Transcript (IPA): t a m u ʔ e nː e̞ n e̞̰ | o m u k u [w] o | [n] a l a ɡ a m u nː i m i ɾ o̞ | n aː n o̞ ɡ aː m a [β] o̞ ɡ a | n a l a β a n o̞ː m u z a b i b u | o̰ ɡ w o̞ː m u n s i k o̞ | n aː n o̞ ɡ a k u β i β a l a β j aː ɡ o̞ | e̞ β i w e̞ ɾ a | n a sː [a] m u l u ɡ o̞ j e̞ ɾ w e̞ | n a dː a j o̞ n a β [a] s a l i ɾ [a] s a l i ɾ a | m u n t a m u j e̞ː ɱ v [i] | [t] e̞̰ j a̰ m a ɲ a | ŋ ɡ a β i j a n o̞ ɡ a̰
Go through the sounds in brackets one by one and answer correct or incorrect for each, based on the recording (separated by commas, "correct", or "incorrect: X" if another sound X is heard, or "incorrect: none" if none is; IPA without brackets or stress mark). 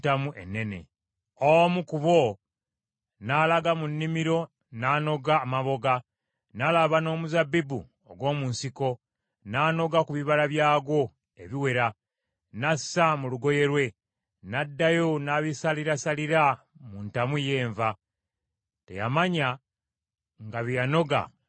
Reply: incorrect: β, correct, correct, correct, incorrect: i, correct, incorrect: a, correct